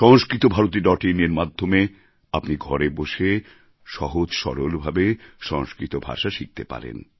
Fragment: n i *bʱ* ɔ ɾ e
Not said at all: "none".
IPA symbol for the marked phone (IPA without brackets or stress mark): ɡʱ